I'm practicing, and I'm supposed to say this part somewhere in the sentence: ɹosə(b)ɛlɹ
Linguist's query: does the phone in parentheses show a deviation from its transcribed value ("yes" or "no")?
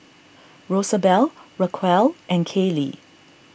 no